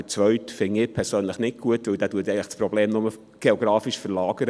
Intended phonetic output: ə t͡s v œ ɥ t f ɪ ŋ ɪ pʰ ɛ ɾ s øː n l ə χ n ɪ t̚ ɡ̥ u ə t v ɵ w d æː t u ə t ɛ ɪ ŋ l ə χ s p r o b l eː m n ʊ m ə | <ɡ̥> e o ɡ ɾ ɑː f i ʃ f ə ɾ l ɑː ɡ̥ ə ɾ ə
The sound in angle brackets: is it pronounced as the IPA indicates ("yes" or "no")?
yes